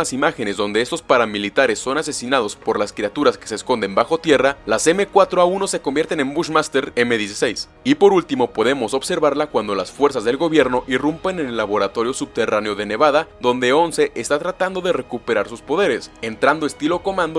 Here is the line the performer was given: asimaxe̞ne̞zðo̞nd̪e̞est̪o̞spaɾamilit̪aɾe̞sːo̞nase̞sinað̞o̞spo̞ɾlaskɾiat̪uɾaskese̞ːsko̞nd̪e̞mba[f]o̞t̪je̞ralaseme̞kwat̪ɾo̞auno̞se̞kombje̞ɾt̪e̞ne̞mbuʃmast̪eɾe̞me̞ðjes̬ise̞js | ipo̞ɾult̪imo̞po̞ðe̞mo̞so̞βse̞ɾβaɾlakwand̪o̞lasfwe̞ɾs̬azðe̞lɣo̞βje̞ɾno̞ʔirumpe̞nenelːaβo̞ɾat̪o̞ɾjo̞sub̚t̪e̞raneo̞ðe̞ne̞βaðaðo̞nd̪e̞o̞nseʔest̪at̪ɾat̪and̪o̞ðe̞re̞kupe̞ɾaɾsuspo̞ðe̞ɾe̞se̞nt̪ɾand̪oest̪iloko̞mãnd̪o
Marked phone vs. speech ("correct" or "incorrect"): incorrect